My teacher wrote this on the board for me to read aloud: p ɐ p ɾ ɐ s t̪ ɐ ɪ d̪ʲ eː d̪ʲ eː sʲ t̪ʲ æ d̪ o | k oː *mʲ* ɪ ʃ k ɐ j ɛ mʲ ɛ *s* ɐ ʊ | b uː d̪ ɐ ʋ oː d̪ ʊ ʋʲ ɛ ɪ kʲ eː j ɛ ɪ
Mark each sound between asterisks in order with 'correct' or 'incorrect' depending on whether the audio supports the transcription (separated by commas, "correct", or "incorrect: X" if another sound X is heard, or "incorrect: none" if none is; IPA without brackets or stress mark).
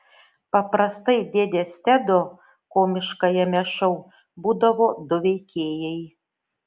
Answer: correct, incorrect: ʃ